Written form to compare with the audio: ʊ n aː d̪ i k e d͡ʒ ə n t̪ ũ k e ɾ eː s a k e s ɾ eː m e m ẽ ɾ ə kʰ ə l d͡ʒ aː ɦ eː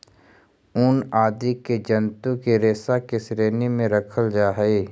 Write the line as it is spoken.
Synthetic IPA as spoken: ʊ n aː d̪ i k e d͡ʒ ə n t̪ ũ k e ɾ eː s a k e s ɾ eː n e m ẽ ɾ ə kʰ ə l d͡ʒ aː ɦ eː